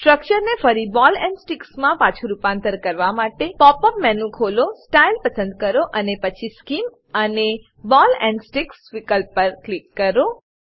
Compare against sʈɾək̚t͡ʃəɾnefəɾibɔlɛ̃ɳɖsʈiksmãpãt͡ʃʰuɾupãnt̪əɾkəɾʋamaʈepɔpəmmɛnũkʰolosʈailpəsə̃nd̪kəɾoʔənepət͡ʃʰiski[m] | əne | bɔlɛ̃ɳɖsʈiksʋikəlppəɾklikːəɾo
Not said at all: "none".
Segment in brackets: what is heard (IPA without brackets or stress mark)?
m